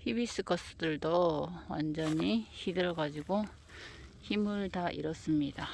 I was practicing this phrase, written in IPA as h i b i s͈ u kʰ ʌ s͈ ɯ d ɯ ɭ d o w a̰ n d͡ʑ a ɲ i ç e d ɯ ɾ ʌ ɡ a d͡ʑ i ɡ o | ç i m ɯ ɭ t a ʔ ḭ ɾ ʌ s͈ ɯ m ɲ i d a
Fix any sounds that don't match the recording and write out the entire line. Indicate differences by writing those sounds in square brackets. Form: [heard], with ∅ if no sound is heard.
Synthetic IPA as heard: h i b i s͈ [ɯ] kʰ ʌ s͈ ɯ d ɯ ɭ d o w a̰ n d͡ʑ [ʌ] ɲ i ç [i] d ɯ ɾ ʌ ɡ a d͡ʑ i ɡ o | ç i m ɯ ɭ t a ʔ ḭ ɾ ʌ s͈ ɯ m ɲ i d a

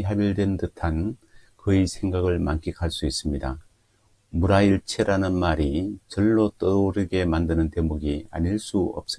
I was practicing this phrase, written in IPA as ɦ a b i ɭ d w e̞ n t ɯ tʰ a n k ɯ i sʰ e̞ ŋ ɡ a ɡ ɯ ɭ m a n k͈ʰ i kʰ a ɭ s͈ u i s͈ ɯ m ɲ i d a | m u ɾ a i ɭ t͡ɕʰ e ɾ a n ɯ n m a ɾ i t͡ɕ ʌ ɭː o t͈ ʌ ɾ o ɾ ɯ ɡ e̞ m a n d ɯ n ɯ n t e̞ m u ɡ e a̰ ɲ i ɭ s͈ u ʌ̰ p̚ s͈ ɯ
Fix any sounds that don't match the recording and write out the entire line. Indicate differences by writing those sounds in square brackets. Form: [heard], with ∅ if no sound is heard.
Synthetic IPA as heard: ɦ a b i ɭ d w e̞ n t ɯ tʰ a n k ɯ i sʰ e̞ ŋ ɡ a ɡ ɯ ɭ m a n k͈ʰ i kʰ a ɭ s͈ u i s͈ ɯ m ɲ i d a | m u ɾ a i ɭ t͡ɕʰ e ɾ a n ɯ n m a ɾ i t͡ɕ ʌ ɭː o t͈ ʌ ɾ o ɾ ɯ ɡ e̞ m a n d ɯ n ɯ n t e̞ m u ɡ [i] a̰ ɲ i ɭ s͈ u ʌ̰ p̚ s͈ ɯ

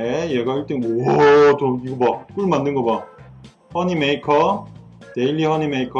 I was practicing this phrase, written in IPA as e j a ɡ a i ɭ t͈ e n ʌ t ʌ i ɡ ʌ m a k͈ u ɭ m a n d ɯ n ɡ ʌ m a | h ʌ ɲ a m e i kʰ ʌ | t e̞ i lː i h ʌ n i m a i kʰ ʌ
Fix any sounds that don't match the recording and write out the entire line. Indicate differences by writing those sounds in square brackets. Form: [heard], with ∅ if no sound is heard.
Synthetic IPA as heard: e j [e] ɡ a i ɭ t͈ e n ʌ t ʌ i ɡ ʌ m a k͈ u ɭ m a n d ɯ n ɡ ʌ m a | h ʌ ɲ [i] m e i kʰ ʌ | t e̞ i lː i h ʌ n i m [e] i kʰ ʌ

